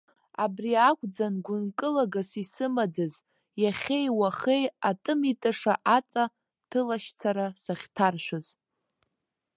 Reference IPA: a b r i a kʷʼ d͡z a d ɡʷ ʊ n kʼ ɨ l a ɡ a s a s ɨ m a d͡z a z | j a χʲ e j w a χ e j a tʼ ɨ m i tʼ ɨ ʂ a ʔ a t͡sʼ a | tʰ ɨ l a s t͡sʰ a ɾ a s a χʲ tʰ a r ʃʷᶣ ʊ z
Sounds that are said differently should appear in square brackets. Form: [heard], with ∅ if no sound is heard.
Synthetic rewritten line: a b r i a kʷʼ d͡z a [n] ɡʷ ʊ n kʼ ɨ l a ɡ a s [i] s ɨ m a d͡z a z | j a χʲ e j w a χ e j a tʼ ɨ m i tʼ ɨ ʂ a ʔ a t͡sʼ a | tʰ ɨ l a [ʃ] t͡sʰ a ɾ a s a χʲ tʰ a r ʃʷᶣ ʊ z